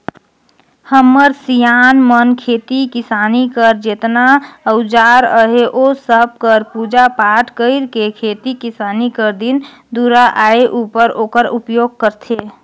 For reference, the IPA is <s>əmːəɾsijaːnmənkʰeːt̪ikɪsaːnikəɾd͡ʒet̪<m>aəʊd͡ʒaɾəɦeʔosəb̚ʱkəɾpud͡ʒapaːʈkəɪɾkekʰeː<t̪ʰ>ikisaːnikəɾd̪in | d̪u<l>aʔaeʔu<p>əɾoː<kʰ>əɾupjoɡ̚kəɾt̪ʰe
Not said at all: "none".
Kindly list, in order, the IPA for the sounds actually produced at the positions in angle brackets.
h, n, t̪, ɾ, p, k

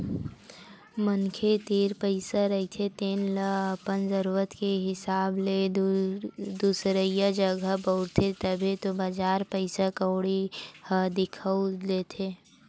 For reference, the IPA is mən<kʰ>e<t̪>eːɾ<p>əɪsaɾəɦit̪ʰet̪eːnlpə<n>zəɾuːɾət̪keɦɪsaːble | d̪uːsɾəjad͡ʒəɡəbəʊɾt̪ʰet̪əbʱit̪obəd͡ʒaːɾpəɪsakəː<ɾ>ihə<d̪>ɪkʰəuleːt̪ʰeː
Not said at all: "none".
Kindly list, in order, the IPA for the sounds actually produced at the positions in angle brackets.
kʰ, t̪, p, n, ɽ, d̪

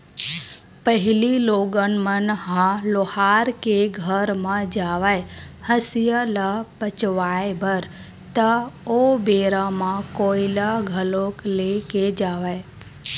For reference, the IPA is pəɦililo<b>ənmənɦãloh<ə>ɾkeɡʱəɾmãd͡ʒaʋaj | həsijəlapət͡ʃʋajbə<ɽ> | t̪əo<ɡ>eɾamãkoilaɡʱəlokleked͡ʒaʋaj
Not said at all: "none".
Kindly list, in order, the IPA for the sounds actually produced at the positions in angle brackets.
ɡ, a, ɾ, b

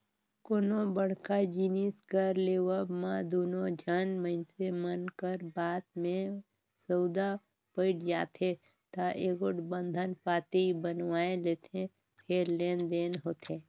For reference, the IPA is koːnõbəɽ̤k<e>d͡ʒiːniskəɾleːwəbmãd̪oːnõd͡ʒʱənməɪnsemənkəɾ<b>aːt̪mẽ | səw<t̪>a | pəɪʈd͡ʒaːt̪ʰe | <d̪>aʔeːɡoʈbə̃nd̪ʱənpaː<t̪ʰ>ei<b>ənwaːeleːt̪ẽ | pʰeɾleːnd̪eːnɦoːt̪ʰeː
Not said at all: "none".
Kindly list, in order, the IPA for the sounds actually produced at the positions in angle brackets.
a, b, d̪, t̪, t̪, b

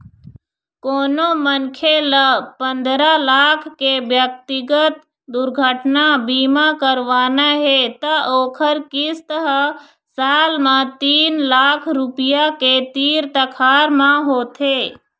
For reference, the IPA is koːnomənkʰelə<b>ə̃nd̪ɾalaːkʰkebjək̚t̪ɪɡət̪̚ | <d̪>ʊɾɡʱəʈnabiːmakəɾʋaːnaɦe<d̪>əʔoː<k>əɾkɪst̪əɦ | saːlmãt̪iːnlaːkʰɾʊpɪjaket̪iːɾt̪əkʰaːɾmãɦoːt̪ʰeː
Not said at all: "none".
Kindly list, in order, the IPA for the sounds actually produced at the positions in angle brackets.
p, d̪, t̪, kʰ

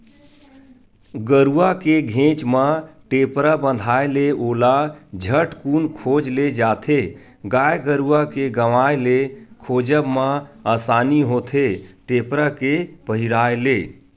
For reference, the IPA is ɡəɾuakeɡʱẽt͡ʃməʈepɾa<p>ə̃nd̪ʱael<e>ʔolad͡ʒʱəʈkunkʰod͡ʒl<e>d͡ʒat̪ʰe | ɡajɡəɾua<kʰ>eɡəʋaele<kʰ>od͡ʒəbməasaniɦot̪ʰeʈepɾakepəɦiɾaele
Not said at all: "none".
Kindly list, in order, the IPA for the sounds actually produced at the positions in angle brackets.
b, e, e, k, kʰ

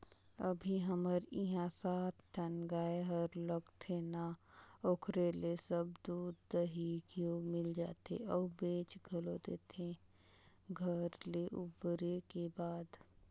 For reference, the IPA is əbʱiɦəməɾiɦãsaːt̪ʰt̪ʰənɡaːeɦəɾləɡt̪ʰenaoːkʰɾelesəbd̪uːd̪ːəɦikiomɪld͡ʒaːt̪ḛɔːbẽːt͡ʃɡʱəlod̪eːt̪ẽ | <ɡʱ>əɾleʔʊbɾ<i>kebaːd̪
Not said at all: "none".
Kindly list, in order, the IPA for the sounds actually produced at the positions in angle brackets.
ɡʱ, e

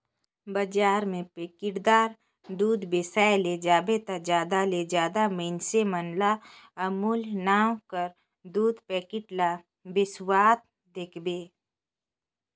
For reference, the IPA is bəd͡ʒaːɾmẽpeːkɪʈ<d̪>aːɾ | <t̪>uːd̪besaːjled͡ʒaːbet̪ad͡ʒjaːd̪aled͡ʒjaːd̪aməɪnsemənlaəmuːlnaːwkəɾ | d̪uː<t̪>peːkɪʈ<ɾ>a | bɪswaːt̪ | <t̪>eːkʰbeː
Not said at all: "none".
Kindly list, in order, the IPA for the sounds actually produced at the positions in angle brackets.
d̪, d̪, d̪, l, d̪

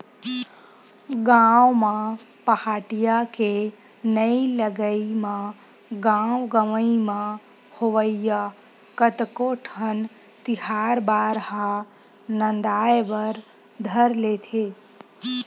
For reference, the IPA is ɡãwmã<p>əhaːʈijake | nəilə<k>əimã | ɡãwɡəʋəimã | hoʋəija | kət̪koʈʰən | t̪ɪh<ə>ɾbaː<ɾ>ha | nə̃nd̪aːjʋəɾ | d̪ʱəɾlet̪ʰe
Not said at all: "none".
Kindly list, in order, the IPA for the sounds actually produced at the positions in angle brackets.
p, ɡ, a, ɾ

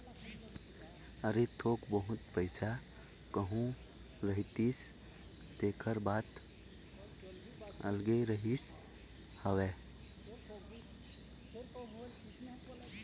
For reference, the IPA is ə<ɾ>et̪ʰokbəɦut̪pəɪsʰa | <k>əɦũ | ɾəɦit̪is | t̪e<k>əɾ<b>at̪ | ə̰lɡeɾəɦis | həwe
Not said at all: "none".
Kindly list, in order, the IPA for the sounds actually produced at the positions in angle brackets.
ɾ, k, kʰ, b

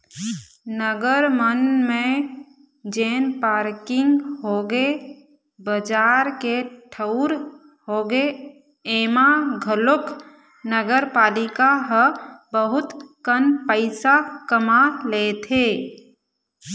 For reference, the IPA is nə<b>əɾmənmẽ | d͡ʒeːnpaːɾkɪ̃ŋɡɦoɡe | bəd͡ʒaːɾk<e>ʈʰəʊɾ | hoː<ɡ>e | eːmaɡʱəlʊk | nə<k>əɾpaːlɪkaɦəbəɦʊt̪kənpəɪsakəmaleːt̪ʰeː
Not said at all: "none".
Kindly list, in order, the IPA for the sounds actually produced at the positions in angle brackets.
ɡ, e, ɡ, ɡ

